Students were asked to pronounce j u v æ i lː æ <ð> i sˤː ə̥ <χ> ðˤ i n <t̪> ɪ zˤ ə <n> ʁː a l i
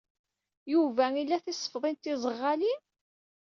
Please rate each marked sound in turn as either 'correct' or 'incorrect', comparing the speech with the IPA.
incorrect: θ, incorrect: f, correct, incorrect: none

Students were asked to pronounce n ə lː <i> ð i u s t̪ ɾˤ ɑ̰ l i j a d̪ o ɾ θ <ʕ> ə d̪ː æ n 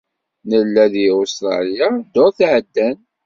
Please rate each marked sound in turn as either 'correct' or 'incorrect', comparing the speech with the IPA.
incorrect: æ, correct

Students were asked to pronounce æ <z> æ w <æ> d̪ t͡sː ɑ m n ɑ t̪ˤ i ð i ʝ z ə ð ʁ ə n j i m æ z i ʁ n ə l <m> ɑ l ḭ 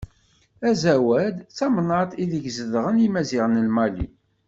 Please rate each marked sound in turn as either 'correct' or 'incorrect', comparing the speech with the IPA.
correct, correct, correct

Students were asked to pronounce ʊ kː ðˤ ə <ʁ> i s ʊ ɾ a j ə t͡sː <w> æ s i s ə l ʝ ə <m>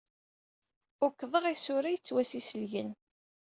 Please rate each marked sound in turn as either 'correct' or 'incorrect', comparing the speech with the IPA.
correct, correct, incorrect: n

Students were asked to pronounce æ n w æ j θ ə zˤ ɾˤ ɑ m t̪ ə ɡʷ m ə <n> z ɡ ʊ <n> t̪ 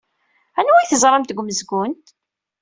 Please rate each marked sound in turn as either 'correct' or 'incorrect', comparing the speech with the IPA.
incorrect: none, correct

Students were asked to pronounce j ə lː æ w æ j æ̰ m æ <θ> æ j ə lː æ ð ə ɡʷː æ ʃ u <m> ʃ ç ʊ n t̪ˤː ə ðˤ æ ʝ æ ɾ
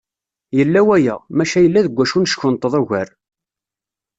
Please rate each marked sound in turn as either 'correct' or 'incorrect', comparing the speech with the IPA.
incorrect: ʃ, incorrect: n

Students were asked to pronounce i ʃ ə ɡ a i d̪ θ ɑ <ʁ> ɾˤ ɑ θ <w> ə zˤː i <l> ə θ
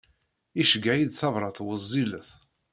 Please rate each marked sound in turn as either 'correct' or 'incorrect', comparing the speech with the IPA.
incorrect: v, correct, correct

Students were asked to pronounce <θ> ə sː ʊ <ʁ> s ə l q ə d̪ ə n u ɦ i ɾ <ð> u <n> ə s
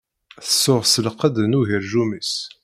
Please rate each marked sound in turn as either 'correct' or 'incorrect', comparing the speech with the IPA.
correct, correct, incorrect: ʒ, incorrect: m

